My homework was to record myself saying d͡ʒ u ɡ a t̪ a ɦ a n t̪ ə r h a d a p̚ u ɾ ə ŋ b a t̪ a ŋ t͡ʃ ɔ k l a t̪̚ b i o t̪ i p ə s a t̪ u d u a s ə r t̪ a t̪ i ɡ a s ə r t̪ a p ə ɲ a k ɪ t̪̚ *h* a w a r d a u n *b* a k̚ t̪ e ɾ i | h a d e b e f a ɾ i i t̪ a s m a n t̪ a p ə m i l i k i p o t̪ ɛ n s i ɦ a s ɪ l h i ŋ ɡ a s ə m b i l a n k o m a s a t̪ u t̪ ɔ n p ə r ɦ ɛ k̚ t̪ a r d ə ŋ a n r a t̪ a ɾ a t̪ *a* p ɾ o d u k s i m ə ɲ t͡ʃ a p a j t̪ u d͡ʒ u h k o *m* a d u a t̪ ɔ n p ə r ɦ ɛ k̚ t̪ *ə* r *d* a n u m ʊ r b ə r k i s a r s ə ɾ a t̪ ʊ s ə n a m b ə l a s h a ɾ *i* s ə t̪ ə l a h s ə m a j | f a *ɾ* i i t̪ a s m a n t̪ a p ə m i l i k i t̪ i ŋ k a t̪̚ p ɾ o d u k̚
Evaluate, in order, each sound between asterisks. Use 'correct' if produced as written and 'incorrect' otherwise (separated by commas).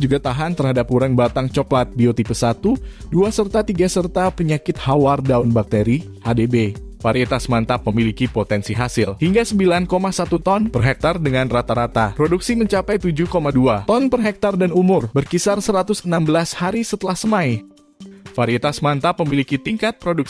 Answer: correct, correct, correct, correct, incorrect, correct, correct, correct